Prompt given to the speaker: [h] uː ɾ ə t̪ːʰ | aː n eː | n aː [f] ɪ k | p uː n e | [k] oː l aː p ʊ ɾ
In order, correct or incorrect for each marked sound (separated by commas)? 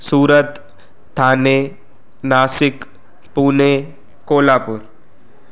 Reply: incorrect, incorrect, correct